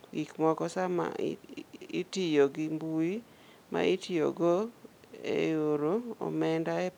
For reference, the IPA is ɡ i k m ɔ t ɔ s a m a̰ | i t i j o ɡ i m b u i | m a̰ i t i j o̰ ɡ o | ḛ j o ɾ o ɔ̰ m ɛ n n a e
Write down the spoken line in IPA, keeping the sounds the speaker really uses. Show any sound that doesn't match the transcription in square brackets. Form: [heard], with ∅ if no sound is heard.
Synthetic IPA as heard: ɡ i k m ɔ [k] ɔ s a m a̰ | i t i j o ɡ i m b u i | m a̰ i t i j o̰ ɡ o | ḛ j o ɾ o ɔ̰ m ɛ n [d] a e